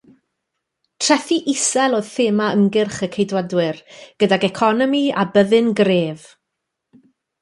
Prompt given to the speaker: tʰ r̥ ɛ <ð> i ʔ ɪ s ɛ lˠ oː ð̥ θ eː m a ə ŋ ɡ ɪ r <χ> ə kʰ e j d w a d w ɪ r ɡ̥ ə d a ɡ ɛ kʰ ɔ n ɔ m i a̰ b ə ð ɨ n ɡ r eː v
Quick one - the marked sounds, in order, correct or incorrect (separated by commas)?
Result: incorrect, correct